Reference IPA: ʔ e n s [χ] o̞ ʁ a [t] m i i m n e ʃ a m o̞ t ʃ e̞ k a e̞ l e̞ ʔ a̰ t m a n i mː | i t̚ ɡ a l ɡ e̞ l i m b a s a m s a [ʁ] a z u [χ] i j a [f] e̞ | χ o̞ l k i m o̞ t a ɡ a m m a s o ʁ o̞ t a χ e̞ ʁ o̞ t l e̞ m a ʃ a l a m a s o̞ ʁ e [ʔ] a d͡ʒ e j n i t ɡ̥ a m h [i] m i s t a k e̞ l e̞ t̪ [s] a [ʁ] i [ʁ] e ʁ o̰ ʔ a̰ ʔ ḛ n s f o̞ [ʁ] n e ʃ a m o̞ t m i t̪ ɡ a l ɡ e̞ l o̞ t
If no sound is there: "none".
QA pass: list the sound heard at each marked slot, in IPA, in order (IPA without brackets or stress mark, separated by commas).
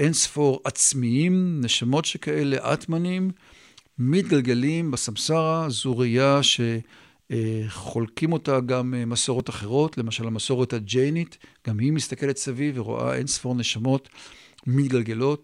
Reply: f, t͡s, ʁ, ʁ, ʃ, t, i, s, v, v, ʁ